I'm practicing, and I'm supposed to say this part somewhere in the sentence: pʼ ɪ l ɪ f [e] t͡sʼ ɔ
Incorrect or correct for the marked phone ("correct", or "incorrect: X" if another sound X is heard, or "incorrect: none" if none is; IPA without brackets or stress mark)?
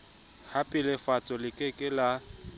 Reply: incorrect: a